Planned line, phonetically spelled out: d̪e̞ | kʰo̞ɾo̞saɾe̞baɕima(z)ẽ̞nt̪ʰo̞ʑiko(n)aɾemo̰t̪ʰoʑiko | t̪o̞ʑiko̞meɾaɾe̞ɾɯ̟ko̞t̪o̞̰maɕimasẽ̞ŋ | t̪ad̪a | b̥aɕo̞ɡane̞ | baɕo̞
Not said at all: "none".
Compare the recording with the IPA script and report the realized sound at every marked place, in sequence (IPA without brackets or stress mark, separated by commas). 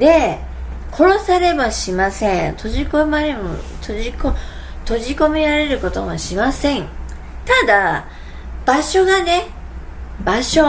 s, m